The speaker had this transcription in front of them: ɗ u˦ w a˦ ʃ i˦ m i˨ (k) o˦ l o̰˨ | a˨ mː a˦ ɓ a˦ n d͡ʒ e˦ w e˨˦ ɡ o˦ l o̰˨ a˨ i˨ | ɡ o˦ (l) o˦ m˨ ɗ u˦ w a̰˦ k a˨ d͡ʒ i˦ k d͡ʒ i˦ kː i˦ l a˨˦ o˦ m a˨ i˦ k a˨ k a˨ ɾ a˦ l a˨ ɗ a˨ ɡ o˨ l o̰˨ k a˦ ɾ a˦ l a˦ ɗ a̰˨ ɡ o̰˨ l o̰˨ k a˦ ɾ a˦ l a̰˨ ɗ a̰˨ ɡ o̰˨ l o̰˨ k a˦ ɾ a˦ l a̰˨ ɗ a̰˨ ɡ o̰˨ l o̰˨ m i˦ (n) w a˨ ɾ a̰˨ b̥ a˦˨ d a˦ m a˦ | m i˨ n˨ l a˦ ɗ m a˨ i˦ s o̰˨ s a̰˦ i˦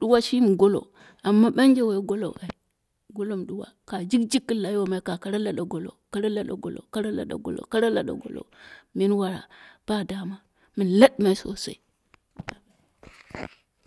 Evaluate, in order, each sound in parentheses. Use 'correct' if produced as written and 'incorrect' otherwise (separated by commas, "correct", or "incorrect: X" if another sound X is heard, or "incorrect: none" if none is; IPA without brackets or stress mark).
incorrect: ɡ, correct, correct